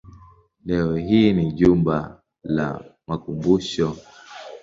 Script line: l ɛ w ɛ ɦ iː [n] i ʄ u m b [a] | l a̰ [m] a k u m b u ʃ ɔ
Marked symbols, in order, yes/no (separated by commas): yes, yes, yes